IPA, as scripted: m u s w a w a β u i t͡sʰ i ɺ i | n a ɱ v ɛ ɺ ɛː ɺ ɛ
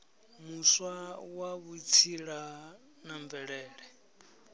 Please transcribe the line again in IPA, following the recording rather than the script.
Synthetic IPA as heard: m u s w a w a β u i t͡sʰ i ɺ a | n a ɱ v ɛ ɺ ɛː ɺ ɛ